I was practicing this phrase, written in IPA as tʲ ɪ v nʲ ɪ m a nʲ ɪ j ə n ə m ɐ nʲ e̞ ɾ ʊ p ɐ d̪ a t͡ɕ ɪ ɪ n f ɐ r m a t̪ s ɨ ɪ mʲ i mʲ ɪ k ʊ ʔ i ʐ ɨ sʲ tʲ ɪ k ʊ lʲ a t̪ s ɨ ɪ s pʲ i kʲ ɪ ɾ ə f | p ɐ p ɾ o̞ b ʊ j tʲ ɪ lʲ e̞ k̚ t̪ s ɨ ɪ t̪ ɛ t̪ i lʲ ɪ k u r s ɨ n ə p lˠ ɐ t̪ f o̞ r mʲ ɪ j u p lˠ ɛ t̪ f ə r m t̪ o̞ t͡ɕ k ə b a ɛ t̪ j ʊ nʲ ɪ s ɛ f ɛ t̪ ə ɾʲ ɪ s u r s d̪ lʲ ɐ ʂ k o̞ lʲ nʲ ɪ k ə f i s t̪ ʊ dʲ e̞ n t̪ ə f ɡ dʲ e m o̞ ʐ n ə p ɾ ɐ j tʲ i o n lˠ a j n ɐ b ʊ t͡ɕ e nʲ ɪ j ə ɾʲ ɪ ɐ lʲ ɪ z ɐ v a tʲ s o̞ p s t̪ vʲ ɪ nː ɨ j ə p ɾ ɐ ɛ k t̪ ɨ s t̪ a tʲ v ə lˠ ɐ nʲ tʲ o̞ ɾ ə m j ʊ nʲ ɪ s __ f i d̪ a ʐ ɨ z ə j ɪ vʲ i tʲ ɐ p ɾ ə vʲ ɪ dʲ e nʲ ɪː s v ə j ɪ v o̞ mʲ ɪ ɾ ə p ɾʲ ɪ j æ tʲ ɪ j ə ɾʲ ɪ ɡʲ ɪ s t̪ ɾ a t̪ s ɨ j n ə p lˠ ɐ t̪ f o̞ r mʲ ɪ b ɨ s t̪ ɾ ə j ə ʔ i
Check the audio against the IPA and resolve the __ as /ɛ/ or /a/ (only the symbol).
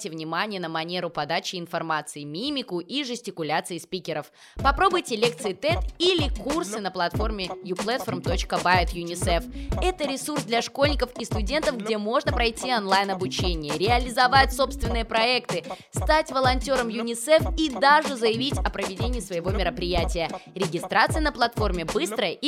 ɛ